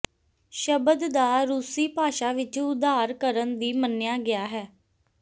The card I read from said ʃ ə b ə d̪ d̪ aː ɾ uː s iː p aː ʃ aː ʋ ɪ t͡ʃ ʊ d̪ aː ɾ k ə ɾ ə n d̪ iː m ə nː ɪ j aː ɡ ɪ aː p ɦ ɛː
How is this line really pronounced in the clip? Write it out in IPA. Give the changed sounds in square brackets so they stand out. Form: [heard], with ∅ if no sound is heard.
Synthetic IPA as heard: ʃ ə b ə d̪ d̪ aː ɾ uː s iː p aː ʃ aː ʋ ɪ t͡ʃ ʊ d̪ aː ɾ k ə ɾ ə n d̪ iː m ə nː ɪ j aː ɡ ɪ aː [∅] ɦ ɛː